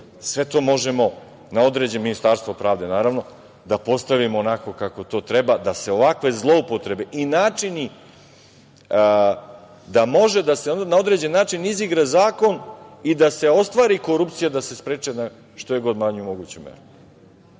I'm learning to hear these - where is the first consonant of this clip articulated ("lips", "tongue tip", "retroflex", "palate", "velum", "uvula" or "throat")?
tongue tip